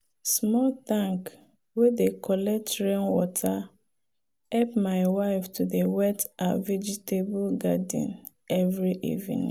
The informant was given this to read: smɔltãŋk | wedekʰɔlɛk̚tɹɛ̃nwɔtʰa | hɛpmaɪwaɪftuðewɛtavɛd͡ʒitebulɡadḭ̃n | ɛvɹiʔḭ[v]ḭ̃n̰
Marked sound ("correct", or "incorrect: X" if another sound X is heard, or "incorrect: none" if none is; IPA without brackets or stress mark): correct